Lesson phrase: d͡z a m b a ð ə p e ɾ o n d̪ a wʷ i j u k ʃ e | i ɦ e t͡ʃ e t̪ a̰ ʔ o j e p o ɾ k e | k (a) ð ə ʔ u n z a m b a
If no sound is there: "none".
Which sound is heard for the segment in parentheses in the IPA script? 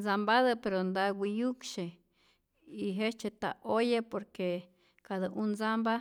a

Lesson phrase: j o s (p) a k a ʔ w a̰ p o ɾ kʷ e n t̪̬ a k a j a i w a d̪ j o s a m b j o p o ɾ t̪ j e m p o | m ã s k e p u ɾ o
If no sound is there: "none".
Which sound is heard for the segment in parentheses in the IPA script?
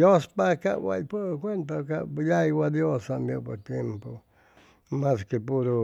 p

